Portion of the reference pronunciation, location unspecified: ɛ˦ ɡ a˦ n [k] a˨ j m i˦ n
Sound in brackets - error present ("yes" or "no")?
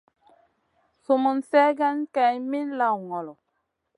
no